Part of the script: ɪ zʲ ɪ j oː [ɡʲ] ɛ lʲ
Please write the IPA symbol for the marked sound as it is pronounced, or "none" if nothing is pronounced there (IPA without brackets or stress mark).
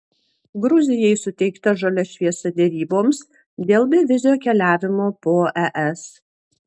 kʲ